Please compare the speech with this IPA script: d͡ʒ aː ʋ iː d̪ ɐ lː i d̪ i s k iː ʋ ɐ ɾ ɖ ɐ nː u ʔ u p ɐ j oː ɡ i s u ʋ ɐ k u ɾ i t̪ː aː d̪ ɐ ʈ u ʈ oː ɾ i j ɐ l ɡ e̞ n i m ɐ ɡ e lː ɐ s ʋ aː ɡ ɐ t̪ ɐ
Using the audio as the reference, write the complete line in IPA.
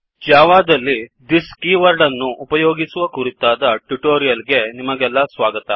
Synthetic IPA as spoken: d͡ʒ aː ʋ aː d̪ ɐ lː i d̪ i s k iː ʋ ɐ ɾ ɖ ɐ nː u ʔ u p ɐ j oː ɡ i s u ʋ ɐ k u ɾ i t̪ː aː d̪ ɐ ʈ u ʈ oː ɾ i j ɐ l ɡ e̞ n i m ɐ ɡ ɛ lː ɐ s ʋ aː ɡ ɐ t̪ ɐ